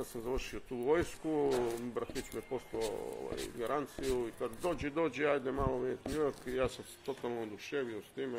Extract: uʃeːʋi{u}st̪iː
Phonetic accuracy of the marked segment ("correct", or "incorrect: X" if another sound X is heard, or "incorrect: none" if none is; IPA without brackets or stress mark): incorrect: o